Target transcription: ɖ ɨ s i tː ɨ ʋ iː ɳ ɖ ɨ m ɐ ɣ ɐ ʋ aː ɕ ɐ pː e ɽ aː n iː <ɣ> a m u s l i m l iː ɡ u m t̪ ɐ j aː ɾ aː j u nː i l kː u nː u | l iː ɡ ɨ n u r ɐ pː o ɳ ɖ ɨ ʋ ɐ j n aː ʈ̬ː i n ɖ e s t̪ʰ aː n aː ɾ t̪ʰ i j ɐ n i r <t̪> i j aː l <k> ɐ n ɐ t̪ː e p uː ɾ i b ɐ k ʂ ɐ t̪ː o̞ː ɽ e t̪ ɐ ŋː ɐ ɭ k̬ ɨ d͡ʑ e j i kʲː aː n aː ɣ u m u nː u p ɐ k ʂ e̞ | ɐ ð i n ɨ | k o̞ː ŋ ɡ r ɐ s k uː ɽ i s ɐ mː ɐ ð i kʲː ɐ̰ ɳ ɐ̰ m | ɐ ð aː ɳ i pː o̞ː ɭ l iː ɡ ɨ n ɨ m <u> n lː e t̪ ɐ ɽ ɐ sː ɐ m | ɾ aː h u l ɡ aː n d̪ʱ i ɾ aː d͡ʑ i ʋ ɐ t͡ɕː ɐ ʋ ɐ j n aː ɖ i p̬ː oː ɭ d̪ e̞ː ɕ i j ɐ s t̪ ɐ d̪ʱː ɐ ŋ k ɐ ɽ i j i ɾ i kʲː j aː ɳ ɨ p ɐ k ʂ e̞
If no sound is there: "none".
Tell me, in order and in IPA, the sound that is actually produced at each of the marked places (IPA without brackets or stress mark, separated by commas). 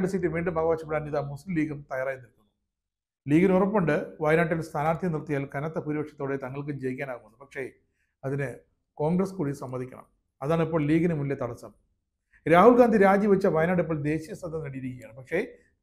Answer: ð, t̪, k, u